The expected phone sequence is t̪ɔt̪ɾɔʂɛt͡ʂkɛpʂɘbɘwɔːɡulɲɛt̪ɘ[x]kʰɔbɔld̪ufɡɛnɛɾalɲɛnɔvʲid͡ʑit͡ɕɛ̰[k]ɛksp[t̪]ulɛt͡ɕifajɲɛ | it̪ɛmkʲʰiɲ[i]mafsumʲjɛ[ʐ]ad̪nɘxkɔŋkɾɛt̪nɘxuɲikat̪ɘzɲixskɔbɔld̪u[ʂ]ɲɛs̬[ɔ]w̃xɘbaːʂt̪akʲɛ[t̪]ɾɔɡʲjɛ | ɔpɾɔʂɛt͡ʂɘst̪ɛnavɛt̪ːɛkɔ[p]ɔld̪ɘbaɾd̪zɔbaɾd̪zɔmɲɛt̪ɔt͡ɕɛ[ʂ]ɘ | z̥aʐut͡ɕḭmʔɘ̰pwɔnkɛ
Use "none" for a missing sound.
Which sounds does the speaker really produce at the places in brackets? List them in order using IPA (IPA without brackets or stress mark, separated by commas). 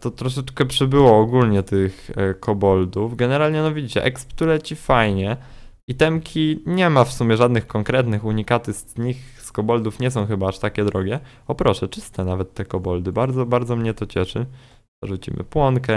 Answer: x, ʔ, t̪, ɛ, ʐ, f, ɔ̃, d̪, b, ʂ